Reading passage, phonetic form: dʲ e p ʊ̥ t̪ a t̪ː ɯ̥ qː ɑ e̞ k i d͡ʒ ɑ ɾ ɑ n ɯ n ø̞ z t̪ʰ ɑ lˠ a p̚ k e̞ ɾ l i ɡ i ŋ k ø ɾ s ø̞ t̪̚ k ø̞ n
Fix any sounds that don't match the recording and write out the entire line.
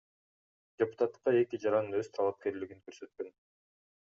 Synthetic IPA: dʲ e p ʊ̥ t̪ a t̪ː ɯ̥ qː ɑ e̞ k i d͡ʒ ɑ ɾ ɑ n ɯ n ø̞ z t̪ʰ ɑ lˠ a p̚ k e̞ ɾ l i ɡ i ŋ k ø ɾ s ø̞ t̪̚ k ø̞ n